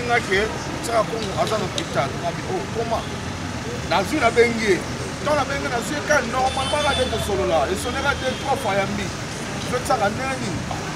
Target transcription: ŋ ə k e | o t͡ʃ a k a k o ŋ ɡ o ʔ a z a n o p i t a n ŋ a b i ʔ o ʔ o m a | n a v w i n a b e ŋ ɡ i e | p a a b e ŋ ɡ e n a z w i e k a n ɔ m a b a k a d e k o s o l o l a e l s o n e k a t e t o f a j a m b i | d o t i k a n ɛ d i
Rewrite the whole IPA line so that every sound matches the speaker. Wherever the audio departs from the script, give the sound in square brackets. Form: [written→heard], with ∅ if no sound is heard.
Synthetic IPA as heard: ŋ [ə→a] k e | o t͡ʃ a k a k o ŋ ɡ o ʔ a z a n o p i t a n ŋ a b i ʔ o [ʔ→k] o m a | n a [v→z] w i n a b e ŋ ɡ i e | [p→t] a a b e ŋ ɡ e n a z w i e k a n ɔ m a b a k a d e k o s o l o l a e [l→∅] s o n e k a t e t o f a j a m b i | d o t [i→a] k a n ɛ [d→n] i